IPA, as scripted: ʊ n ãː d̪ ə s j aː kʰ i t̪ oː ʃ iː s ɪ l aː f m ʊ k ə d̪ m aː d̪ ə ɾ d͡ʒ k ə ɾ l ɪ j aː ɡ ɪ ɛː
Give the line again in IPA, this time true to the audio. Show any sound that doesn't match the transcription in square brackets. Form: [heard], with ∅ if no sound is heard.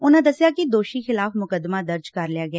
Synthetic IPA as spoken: ʊ n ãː d̪ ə s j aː [k] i [d̪] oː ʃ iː [x] ɪ l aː f m ʊ k ə d̪ m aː d̪ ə ɾ d͡ʒ k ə ɾ l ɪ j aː ɡ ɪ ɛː